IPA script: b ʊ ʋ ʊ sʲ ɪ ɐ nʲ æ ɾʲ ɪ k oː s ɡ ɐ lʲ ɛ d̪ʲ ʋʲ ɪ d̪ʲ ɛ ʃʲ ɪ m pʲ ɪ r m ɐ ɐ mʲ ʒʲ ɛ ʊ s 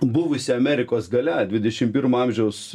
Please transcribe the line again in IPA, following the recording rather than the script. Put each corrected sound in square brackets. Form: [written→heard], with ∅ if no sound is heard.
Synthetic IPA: b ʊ ʋ ʊ sʲ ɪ ɐ [nʲ→mʲ] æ ɾʲ ɪ k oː s ɡ ɐ lʲ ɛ d̪ʲ ʋʲ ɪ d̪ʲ ɛ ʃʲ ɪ m pʲ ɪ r m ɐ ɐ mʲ ʒʲ ɛ ʊ s

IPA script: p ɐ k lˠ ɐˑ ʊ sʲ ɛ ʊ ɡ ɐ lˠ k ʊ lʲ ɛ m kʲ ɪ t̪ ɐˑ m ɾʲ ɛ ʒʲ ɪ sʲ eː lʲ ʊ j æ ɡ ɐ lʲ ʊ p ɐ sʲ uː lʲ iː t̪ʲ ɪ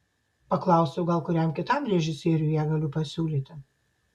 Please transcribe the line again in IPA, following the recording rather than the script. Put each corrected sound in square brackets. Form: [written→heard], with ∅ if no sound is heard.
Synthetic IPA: p ɐ k lˠ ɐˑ ʊ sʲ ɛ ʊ ɡ ɐ lˠ k ʊ [lʲ→ɾʲ] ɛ m kʲ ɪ t̪ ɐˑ m ɾʲ ɛ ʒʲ ɪ sʲ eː [lʲ→ɾʲ] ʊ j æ ɡ ɐ lʲ ʊ p ɐ sʲ uː lʲ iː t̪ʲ ɪ

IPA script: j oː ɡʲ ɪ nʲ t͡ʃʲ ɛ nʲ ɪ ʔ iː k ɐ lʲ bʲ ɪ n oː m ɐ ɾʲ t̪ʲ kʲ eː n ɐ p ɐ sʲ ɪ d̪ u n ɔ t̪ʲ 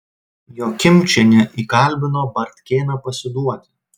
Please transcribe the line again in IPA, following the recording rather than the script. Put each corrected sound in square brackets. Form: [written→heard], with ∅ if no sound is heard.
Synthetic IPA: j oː [ɡʲ→kʲ] ɪ [nʲ→mʲ] t͡ʃʲ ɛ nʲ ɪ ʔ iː k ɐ lʲ bʲ ɪ n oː [m→b] ɐ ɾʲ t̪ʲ kʲ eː n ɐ p ɐ sʲ ɪ d̪ u [n→∅] ɔ t̪ʲ

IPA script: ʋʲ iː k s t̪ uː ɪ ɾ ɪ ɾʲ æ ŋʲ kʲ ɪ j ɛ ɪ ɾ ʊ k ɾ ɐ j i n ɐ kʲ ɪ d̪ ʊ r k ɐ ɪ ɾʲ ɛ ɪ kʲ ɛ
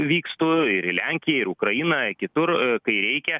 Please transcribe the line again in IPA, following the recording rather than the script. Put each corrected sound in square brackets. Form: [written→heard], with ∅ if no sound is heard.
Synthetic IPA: ʋʲ iː k s t̪ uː ɪ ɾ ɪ [ɾʲ→lʲ] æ ŋʲ kʲ ɪ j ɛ ɪ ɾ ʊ k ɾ ɐ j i n ɐ kʲ ɪ [d̪→t̪] ʊ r k ɐ ɪ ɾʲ ɛ ɪ kʲ ɛ

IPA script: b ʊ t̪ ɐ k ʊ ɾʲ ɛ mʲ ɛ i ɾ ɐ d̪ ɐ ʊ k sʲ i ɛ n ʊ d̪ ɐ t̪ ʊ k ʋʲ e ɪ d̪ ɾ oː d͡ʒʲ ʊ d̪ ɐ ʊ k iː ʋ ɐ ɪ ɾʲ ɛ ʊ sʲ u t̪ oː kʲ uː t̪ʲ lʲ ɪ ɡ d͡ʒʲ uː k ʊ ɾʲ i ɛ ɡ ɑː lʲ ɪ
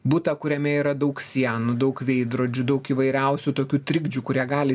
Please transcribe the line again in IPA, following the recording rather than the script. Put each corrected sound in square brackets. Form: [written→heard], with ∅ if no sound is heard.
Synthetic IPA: b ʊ t̪ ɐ k ʊ ɾʲ ɛ mʲ ɛ i ɾ ɐ d̪ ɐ ʊ k sʲ i ɛ n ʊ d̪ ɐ [t̪→∅] ʊ k ʋʲ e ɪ d̪ ɾ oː d͡ʒʲ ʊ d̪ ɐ ʊ k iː ʋ ɐ ɪ ɾʲ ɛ ʊ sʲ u t̪ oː kʲ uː t̪ʲ [lʲ→ɾʲ] ɪ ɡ d͡ʒʲ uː k ʊ ɾʲ i ɛ ɡ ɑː lʲ ɪ

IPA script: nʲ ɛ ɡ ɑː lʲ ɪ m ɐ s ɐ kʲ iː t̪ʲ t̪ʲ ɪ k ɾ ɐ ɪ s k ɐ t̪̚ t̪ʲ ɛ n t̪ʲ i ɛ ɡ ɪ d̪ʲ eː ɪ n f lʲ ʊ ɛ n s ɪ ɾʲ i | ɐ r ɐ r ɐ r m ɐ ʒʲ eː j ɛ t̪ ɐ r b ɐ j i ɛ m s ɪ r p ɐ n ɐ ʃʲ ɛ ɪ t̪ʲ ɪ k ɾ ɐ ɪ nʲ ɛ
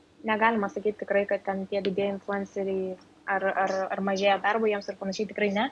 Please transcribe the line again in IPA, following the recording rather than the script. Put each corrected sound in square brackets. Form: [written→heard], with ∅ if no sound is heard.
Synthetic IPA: nʲ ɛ ɡ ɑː lʲ ɪ m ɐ s ɐ kʲ iː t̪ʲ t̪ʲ ɪ k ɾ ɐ ɪ [s→∅] k ɐ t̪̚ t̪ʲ ɛ n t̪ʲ i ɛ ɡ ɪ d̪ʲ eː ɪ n f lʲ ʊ ɛ n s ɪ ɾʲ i | ɐ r ɐ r ɐ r m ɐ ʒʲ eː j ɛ [t̪→d̪] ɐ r b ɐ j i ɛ m s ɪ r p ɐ n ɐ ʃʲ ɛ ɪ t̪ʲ ɪ k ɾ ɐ ɪ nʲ ɛ

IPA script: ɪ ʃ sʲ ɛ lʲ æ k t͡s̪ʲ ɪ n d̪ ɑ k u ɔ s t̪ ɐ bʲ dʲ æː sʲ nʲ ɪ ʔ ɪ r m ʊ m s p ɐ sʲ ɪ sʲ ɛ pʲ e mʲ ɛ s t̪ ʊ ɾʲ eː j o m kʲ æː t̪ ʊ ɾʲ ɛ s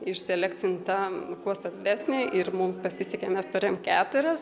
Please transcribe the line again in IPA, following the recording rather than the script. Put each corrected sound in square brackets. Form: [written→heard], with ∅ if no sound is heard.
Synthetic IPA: ɪ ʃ sʲ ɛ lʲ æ k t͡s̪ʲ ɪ n [d̪→t̪] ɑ k u ɔ s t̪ ɐ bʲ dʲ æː sʲ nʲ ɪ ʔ ɪ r m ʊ m s p ɐ sʲ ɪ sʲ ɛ [pʲ→kʲ] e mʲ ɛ s t̪ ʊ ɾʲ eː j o m kʲ æː t̪ ʊ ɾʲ ɛ s

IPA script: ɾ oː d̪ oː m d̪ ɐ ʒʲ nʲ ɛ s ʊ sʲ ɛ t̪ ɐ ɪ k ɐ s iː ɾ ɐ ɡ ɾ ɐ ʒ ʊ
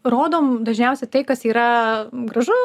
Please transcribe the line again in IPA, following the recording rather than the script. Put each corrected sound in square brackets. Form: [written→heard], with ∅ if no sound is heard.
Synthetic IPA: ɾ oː d̪ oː m d̪ ɐ ʒʲ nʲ ɛ [s→∅] ʊ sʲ ɛ t̪ ɐ ɪ k ɐ s iː ɾ ɐ ɡ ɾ ɐ ʒ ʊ

